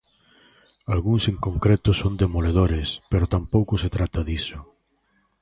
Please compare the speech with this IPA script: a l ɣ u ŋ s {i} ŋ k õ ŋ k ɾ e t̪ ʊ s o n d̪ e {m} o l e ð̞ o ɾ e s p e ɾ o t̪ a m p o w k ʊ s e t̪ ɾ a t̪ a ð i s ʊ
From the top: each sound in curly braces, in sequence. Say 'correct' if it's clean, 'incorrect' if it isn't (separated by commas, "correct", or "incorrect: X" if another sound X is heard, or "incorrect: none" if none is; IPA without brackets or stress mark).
incorrect: e, correct